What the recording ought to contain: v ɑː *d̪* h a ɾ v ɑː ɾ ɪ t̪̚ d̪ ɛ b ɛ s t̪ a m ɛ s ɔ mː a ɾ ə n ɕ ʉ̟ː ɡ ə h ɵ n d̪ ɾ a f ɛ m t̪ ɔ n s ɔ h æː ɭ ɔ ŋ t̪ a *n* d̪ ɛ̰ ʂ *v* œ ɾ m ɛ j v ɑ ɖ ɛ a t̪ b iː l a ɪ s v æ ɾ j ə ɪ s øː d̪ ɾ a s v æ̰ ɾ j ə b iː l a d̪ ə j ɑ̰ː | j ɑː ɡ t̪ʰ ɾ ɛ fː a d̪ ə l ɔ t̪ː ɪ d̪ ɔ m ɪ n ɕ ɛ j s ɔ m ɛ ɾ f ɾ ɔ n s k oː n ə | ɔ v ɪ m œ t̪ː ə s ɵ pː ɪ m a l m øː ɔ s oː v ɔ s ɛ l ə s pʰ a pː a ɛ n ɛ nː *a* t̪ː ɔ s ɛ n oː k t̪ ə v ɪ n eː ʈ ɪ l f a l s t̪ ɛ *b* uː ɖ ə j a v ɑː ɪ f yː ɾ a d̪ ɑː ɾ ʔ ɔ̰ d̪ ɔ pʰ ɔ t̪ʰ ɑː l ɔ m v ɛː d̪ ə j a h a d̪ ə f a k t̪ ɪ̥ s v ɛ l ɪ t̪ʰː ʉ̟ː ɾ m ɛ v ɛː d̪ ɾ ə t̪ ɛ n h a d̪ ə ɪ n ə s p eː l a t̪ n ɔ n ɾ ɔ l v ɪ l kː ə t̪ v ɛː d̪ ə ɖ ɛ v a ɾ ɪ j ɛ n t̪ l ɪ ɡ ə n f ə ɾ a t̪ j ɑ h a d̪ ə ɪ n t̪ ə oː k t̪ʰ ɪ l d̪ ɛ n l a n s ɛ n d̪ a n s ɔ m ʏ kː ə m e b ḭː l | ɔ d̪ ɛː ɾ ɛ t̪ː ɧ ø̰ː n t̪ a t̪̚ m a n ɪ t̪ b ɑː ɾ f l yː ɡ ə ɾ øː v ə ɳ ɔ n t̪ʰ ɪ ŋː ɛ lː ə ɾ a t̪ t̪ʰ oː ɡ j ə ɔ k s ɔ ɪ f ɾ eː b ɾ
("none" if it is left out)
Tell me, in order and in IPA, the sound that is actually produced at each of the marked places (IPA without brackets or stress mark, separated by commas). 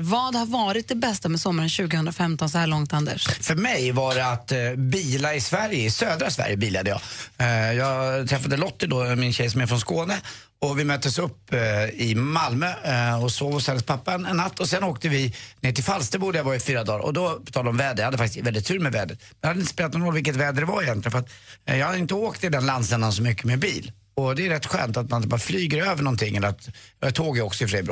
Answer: d̪, n, f, a, b